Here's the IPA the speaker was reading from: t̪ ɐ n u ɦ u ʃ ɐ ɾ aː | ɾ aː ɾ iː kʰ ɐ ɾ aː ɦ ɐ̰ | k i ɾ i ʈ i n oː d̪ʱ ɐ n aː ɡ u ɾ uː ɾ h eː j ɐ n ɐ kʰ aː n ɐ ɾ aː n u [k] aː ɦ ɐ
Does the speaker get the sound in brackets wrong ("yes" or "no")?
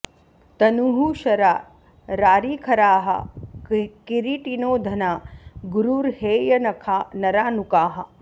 no